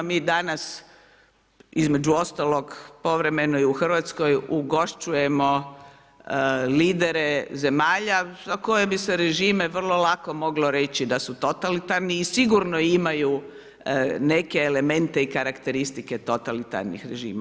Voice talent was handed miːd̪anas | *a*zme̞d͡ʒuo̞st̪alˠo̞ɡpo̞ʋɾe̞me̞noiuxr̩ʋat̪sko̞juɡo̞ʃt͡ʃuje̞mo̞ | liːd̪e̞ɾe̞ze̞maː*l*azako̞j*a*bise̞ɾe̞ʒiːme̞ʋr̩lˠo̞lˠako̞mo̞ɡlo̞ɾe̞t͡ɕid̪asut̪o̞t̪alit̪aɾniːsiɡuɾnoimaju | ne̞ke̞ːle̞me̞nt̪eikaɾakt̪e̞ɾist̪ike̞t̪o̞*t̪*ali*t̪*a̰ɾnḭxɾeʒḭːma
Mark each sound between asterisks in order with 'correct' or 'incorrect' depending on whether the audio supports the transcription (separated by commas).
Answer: incorrect, incorrect, incorrect, correct, correct